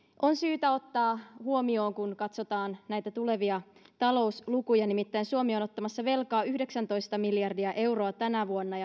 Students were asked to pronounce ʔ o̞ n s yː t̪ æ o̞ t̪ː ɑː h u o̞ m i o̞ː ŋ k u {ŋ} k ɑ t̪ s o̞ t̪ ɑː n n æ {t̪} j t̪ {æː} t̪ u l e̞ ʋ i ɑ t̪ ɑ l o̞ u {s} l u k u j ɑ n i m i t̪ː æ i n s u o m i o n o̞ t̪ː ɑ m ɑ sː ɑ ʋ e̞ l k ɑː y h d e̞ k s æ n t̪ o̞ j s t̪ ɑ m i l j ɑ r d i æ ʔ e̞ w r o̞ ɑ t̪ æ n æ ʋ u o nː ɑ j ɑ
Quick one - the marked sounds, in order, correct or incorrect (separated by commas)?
incorrect, incorrect, incorrect, correct